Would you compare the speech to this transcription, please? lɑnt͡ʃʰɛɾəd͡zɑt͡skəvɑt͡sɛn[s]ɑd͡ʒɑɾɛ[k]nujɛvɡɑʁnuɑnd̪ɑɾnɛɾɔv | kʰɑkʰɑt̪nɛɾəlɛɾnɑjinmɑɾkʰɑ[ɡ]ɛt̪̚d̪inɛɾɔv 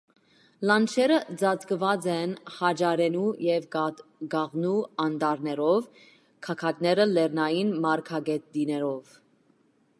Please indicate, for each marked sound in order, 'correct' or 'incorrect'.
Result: incorrect: h, incorrect: none, correct

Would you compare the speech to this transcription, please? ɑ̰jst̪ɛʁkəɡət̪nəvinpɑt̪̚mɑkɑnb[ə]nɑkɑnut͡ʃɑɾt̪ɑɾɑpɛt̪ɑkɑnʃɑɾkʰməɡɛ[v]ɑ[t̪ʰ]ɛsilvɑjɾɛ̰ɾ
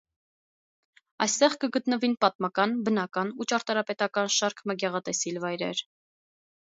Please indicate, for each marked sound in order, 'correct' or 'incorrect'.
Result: correct, incorrect: ʁ, incorrect: t̪

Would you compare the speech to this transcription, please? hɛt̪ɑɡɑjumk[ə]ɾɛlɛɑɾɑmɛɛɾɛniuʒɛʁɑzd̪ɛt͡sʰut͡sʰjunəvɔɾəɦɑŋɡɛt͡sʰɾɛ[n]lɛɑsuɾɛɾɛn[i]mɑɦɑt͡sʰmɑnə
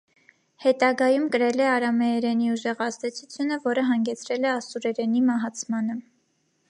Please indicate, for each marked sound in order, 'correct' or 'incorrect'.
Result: correct, incorrect: none, correct

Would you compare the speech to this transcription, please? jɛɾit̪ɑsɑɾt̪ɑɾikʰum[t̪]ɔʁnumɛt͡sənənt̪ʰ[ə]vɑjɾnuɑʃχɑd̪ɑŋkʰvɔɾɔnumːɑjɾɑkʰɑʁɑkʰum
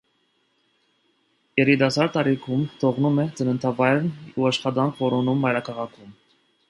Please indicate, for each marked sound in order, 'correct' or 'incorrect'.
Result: incorrect: t̪ʰ, incorrect: ɑ

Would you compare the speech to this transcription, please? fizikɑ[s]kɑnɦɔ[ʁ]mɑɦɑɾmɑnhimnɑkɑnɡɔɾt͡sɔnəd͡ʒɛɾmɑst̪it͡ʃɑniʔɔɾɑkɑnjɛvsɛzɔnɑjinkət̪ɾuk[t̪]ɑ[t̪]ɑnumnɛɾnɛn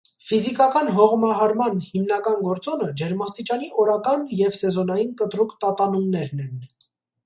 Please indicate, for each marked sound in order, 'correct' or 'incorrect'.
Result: incorrect: none, correct, correct, correct

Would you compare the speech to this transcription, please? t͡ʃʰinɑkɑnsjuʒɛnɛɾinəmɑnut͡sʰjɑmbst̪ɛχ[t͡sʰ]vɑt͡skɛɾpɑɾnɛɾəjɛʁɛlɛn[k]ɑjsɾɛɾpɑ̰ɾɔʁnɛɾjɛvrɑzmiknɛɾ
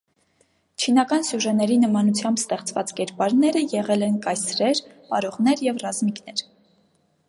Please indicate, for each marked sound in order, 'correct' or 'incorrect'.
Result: incorrect: t͡s, correct

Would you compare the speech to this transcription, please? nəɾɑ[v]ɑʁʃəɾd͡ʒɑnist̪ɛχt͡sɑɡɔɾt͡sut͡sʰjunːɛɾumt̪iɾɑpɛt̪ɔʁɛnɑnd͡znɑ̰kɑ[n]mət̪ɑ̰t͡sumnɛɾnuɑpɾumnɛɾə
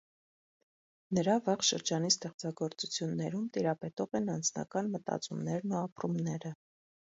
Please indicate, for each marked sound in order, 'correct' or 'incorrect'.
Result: correct, correct

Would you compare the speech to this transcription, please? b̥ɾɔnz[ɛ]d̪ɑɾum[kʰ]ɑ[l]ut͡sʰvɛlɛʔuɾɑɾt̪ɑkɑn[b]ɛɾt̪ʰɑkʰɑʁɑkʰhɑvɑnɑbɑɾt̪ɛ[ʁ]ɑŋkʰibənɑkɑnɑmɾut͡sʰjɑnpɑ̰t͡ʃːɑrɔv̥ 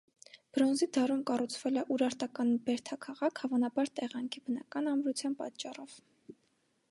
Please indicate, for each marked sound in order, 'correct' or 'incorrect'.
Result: incorrect: i, incorrect: k, incorrect: r, correct, correct

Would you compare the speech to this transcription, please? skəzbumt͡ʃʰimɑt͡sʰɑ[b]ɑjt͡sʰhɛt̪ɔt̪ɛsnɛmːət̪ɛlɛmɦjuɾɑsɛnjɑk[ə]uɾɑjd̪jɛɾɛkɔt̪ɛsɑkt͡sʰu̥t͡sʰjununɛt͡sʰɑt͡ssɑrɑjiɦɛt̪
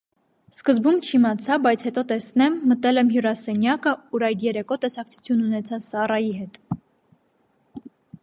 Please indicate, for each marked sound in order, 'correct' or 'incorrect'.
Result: correct, correct

